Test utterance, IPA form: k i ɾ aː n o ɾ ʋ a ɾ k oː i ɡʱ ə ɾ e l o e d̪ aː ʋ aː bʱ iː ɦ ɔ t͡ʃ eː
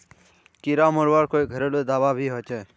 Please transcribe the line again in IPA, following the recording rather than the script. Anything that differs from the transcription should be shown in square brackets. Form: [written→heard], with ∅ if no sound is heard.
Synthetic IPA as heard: k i ɾ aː [n→m] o ɾ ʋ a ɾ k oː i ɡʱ ə ɾ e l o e d̪ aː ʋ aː bʱ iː ɦ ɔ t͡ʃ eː